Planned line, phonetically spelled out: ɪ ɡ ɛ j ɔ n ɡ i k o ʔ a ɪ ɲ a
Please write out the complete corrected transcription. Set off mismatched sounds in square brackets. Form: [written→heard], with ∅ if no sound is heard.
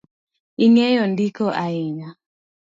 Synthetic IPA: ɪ [ɡ→ŋ] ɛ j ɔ n [ɡ→d] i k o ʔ a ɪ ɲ a